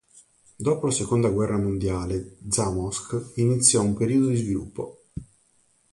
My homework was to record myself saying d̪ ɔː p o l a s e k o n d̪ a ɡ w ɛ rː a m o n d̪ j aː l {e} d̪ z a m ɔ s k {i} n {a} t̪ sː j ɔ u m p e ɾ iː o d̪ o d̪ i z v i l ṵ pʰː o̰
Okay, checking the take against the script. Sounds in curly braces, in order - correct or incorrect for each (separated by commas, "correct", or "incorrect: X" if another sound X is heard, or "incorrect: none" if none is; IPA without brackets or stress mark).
correct, correct, incorrect: i